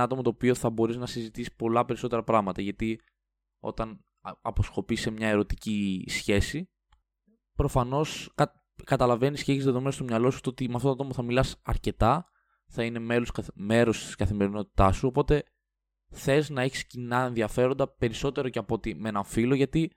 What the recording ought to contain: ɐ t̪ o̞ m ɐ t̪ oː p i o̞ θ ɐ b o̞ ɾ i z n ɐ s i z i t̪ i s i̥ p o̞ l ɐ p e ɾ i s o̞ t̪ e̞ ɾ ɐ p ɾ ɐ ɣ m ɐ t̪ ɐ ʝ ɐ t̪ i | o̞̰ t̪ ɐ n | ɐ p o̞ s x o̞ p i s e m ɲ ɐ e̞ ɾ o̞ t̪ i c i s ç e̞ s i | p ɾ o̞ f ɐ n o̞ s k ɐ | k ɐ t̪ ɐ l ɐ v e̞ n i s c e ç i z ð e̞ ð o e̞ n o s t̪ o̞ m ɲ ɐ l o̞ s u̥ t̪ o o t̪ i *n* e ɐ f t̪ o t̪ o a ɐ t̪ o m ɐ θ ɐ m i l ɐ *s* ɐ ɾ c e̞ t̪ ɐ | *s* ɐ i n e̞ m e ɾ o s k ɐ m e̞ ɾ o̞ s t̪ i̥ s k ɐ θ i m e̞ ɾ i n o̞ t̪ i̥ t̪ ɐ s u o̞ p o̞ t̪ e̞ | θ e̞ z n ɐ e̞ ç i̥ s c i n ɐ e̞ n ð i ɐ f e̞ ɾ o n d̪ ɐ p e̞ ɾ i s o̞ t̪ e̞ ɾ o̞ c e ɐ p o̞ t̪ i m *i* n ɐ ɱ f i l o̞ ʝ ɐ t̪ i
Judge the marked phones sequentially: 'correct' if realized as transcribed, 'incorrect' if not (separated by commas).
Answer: incorrect, correct, incorrect, incorrect